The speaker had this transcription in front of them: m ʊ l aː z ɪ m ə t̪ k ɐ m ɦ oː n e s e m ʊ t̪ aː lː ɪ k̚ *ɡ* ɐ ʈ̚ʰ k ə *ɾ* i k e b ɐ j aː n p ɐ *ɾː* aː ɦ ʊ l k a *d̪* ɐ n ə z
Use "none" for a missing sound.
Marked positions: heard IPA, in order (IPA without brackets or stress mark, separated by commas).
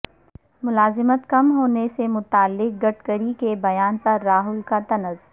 ɡ, ɾ, ɾː, t̪